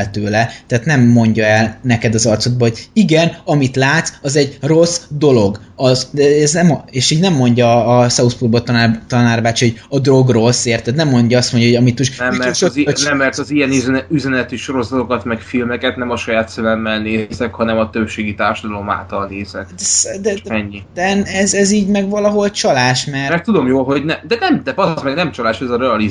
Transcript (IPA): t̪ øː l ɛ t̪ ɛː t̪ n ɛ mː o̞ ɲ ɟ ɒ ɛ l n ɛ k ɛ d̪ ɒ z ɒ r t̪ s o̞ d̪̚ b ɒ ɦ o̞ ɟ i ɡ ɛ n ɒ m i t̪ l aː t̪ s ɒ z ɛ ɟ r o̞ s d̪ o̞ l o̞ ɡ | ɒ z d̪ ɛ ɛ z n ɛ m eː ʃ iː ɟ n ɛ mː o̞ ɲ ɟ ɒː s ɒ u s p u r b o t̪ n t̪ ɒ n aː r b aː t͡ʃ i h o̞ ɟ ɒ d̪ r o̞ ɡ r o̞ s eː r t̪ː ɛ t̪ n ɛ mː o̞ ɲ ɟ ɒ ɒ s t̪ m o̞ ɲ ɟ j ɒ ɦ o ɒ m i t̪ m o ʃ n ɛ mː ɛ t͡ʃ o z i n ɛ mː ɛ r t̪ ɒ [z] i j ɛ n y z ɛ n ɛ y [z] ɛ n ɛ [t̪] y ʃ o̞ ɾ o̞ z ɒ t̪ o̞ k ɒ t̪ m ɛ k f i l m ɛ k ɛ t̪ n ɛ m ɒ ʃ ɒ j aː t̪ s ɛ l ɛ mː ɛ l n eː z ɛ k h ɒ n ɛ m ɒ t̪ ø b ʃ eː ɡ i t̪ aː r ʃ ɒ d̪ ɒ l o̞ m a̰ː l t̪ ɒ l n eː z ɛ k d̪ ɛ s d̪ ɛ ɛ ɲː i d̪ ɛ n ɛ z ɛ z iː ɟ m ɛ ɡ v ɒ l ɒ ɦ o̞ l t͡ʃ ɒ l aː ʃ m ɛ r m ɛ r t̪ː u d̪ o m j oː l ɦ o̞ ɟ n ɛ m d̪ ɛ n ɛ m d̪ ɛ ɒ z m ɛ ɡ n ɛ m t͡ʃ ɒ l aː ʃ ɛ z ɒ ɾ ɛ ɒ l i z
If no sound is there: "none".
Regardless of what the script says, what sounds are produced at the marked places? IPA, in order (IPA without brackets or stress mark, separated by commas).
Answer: z, z, t̪